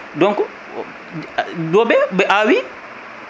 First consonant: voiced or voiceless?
voiced